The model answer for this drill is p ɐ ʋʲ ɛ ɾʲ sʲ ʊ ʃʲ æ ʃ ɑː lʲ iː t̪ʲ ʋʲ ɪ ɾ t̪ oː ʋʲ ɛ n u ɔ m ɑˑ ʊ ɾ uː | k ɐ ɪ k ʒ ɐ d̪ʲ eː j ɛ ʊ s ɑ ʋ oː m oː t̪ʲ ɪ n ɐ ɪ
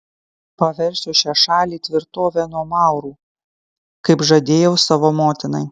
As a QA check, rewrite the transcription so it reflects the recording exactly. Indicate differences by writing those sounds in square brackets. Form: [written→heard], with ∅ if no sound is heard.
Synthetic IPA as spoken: p ɐ ʋʲ ɛ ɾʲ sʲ ʊ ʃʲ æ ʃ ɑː lʲ iː t̪ʲ ʋʲ ɪ ɾ t̪ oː ʋʲ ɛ n u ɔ m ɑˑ ʊ ɾ uː | k ɐ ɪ [k→p] ʒ ɐ d̪ʲ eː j ɛ ʊ s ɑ ʋ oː m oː t̪ʲ ɪ n ɐ ɪ